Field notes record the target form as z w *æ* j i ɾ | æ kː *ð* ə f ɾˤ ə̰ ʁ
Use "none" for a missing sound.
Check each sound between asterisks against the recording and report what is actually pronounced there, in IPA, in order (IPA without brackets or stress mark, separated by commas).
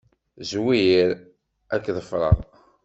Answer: i, ð